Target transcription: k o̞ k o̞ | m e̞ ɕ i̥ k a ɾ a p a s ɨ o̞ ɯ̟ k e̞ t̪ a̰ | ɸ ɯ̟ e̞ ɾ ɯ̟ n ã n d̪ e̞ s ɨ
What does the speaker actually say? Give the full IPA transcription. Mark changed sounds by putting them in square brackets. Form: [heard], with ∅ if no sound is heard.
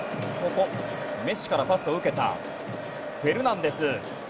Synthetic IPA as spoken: k o̞ k o̞ | m e̞ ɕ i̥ k a ɾ a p a s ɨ o̞ ɯ̟ k e̞ t̪ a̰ | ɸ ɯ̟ e̞ ɾ ɯ̟ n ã n d̪ e̞ s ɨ